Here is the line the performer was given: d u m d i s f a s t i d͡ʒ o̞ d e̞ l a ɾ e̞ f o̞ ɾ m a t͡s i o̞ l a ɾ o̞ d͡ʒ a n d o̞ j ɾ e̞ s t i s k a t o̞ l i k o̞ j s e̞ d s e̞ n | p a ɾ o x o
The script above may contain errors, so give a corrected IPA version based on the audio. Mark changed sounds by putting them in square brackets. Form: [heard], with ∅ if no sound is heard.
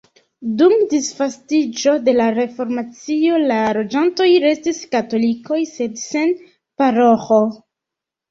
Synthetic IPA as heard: d u m d i s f a s t i d͡ʒ o̞ d e̞ l a ɾ e̞ f o̞ ɾ m a t͡s i o̞ l a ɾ o̞ d͡ʒ a n [t] o̞ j ɾ e̞ s t i s k a t o̞ l i k o̞ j s e̞ d s e̞ n | p a ɾ o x o